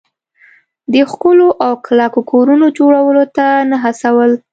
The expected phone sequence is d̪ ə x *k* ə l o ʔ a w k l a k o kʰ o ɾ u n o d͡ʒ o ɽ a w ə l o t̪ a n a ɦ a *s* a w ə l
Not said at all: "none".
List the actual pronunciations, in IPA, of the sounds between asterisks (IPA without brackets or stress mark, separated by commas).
k, s